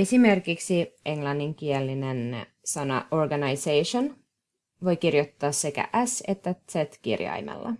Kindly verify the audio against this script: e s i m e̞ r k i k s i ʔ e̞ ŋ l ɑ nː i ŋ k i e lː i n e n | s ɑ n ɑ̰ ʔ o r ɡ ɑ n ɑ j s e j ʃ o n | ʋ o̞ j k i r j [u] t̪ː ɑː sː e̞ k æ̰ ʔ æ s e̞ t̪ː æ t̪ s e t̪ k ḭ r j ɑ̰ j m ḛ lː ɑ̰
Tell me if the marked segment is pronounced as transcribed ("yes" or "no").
no